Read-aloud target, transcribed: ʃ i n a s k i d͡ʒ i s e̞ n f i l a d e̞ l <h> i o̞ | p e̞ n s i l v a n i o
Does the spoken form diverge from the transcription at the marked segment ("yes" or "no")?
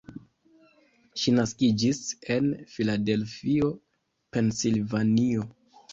yes